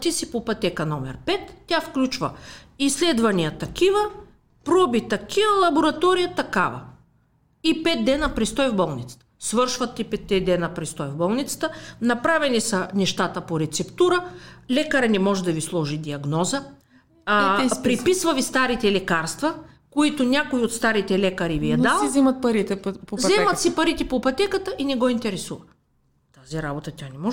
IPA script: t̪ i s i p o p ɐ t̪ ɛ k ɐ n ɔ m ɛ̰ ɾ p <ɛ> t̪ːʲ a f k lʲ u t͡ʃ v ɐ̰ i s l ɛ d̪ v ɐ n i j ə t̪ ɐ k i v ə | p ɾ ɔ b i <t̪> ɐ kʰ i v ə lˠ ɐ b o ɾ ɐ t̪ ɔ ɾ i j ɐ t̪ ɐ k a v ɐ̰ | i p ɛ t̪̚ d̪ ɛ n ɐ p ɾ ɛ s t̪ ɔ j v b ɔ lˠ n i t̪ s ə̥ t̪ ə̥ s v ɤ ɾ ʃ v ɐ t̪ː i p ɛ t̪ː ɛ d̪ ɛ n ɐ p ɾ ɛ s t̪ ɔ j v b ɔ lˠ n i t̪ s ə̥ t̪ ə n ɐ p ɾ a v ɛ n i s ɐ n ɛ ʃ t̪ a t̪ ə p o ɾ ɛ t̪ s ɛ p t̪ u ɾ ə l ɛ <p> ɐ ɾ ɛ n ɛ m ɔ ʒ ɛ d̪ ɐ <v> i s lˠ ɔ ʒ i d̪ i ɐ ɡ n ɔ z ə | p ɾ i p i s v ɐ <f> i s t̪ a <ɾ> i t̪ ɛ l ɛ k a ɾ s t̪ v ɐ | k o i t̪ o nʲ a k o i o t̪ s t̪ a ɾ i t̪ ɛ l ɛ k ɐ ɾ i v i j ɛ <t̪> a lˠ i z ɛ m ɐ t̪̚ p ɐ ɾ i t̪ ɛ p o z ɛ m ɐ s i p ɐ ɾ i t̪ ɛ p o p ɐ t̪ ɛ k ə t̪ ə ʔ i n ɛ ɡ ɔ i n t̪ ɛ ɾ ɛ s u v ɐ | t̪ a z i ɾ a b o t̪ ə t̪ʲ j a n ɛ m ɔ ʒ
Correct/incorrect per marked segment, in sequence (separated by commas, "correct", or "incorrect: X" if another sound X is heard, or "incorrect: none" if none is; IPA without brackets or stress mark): correct, correct, incorrect: k, correct, incorrect: v, correct, incorrect: d̪